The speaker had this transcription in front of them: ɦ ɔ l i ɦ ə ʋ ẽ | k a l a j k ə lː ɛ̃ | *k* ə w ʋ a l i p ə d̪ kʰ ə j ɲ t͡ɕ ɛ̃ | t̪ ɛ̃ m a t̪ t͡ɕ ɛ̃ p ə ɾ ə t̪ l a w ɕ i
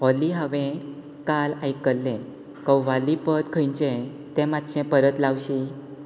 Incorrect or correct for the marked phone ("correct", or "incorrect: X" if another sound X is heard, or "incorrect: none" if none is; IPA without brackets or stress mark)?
correct